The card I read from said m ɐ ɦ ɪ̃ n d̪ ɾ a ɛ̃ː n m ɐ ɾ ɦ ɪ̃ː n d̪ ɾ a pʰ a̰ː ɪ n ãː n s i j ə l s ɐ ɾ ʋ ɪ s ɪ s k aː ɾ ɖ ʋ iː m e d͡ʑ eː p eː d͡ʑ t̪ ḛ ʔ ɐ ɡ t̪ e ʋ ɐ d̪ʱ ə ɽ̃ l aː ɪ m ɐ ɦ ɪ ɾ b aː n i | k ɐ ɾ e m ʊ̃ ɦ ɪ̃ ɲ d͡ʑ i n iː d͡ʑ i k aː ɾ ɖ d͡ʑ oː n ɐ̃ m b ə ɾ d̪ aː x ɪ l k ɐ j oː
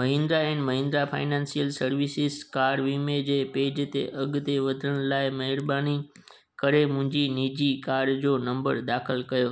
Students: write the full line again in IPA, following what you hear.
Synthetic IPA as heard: m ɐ ɦ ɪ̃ n d̪ ɾ a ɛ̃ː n m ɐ ɦ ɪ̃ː n d̪ ɾ a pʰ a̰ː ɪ n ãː n s i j ə l s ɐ ɾ ʋ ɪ s ɪ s k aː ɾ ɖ ʋ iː m e d͡ʑ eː p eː d͡ʑ t̪ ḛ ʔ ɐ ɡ t̪ e ʋ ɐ d̪ʱ ə ɽ̃ l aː ɪ m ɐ ɦ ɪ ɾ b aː n i | k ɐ ɾ e m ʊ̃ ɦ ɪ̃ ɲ d͡ʑ i n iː d͡ʑ i k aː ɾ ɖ d͡ʑ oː n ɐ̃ m b ə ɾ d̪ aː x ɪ l k ɐ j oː